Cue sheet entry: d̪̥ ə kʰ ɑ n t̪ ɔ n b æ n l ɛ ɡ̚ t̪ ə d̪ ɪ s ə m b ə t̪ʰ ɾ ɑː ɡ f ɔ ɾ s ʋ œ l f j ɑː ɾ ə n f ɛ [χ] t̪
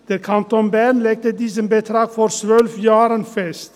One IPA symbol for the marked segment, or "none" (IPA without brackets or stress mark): s